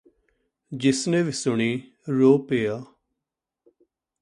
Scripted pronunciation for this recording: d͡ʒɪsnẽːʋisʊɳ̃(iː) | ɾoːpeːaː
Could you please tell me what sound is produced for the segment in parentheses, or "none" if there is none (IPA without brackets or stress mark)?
iː